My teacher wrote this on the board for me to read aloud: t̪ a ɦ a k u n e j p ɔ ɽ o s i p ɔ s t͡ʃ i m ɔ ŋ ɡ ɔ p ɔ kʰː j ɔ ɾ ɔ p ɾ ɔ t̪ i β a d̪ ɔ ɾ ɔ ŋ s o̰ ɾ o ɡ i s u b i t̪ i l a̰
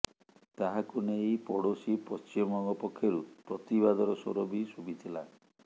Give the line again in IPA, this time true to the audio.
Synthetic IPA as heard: t̪ a ɦ a k u n e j p ɔ ɽ o s i p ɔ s t͡ʃ i m ɔ ŋ ɡ ɔ p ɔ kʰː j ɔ ɾ u p ɾ ɔ t̪ i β a d̪ ɔ ɾ ɔ s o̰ ɾ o b i s u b i t̪ʰ i l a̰

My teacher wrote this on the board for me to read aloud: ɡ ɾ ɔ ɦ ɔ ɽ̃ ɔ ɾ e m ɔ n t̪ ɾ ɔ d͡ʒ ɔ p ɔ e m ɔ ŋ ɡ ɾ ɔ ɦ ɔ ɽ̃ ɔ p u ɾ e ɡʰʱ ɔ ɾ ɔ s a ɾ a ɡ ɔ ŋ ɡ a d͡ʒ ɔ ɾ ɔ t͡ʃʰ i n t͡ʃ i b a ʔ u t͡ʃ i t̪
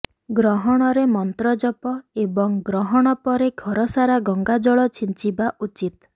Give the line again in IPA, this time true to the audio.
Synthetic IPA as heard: ɡ ɾ ɔ ɦ ɔ ɽ̃ ɔ ɾ e m ɔ n t̪ ɾ ɔ d͡ʒ ɔ p ɔ e b ɔ ŋ ɡ ɾ ɔ ɦ ɔ ɽ̃ ɔ p ɔ ɾ e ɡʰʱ ɔ ɾ ɔ s a ɾ a ɡ ɔ ŋ ɡ a d͡ʒ ɔ ɭ ɔ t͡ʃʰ i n t͡ʃ i b a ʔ u t͡ʃ i t̪

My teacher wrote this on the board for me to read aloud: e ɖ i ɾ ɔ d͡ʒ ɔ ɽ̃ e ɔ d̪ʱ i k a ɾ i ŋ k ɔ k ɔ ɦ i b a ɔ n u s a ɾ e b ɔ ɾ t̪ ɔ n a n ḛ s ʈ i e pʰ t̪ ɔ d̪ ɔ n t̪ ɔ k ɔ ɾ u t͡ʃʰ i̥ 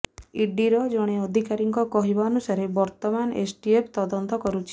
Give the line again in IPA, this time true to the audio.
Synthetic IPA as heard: i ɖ i ɾ ɔ d͡ʒ ɔ ɽ̃ e ɔ d̪ʱ i k a ɾ i ŋ k ɔ k ɔ ɦ i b a ɔ n u s a ɾ e b ɔ ɾ t̪ ɔ m a n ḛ s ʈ i e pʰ t̪ ɔ d̪ ɔ n t̪ ɔ k ɔ ɾ u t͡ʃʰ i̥

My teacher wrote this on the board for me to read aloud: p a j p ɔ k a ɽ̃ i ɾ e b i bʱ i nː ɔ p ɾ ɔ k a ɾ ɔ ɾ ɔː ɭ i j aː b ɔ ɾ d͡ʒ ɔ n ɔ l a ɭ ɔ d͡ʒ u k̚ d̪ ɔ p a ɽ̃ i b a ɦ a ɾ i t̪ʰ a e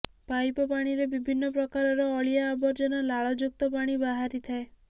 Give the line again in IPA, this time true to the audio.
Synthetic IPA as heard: p a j p ɔ p a ɽ̃ i ɾ e b i bʱ i nː ɔ p ɾ ɔ k a ɾ ɔ ɾ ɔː ɭ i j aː b ɔ ɾ d͡ʒ ɔ n ɔ l a ɭ ɔ d͡ʒ u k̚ t̪ ɔ p a ɽ̃ i b a ɦ a ɾ i t̪ʰ a e

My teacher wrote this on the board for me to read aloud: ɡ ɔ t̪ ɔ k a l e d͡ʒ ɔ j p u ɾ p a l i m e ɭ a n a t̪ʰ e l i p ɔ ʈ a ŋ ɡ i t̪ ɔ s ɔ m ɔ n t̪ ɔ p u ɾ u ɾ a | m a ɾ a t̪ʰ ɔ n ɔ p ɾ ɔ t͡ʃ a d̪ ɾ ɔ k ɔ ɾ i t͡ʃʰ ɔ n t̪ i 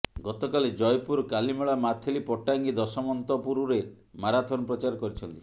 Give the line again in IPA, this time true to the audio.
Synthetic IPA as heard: ɡ ɔ t̪ ɔ k a l e d͡ʒ ɔ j p u ɾ k a l i m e ɭ a m a t̪ʰ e l i p ɔ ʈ a ŋ ɡ i d̪ ɔ s ɔ m ɔ n t̪ ɔ p u ɾ u ɾ e | m a ɾ a t̪ʰ ɔ n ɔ p ɾ ɔ t͡ʃ a ɾ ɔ k ɔ ɾ i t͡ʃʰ ɔ n t̪ i

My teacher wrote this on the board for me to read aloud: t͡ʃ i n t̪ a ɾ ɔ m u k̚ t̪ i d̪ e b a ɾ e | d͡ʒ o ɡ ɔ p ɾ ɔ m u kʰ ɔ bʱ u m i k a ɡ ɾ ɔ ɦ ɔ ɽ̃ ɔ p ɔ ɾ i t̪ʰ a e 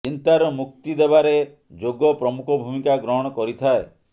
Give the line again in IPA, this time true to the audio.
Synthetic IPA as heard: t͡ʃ i n t̪ a ɾ ɔ m u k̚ t̪ i d̪ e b a ɾ e | d͡ʒ o ɡ ɔ p ɾ ɔ m u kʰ ɔ bʱ u m i k a ɡ ɾ ɔ ɦ ɔ ɽ̃ ɔ k ɔ ɾ i t̪ʰ a e

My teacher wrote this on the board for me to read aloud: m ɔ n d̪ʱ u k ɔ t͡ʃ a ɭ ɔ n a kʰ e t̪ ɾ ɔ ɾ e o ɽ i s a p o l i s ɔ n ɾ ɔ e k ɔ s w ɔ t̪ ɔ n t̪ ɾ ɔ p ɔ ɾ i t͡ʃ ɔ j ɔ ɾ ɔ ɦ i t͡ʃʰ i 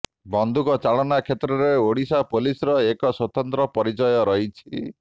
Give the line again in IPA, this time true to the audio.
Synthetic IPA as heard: b ɔ n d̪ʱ u k ɔ t͡ʃ a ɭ ɔ n a kʰ e t̪ ɾ ɔ ɾ e o ɽ i s a p o l i s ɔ ɾ ɔ e k ɔ s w ɔ t̪ ɔ n t̪ ɾ ɔ p ɔ ɾ i t͡ʃ ɔ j ɔ ɾ ɔ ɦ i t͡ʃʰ i

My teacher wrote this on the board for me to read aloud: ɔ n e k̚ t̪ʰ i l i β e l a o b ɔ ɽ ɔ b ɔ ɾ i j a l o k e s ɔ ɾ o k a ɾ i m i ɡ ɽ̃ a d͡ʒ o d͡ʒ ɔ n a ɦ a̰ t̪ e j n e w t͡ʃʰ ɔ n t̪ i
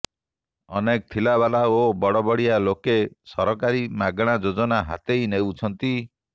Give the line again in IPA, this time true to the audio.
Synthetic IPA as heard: ɔ n e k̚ t̪ʰ i l a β a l a o b ɔ ɽ ɔ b ɔ ɽ i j a l o k e s ɔ ɾ ɔ k a ɾ i m a ɡ ɽ̃ a d͡ʒ o d͡ʒ ɔ n a ɦ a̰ t̪ e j n e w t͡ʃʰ ɔ n t̪ i

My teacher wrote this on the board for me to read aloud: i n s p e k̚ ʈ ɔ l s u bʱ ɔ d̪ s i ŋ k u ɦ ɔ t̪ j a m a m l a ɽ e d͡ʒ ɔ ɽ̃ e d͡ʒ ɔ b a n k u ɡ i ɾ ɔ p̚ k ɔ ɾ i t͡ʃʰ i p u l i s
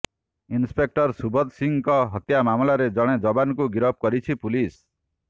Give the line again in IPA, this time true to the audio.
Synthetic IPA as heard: i n s p e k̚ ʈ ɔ ɾ s u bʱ ɔ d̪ s i ŋ k ɔ ɦ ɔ t̪ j a m a m l a ɾ e d͡ʒ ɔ ɽ̃ e d͡ʒ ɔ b a n k u ɡ i ɾ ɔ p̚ k ɔ ɾ i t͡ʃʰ i p u l i s

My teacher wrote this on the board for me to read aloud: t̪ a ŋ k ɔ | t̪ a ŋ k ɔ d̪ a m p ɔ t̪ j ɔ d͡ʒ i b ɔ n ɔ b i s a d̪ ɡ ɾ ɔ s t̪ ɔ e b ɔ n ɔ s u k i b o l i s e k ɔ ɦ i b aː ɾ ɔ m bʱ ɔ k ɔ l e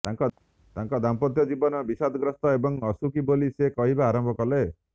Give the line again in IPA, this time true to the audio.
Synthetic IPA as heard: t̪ a ŋ k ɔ | t̪ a ŋ k ɔ d̪ a m p ɔ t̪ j ɔ d͡ʒ i b ɔ n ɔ b i s a d̪ ɡ ɾ ɔ s t̪ ɔ e b ɔ ŋ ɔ s u k i b o l i s e k ɔ ɦ i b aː ɾ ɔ m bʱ ɔ k ɔ l e

